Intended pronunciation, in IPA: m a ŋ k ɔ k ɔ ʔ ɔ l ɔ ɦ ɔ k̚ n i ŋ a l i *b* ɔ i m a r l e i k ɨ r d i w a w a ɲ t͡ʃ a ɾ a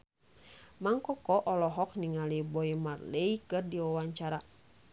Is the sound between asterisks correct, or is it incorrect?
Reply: correct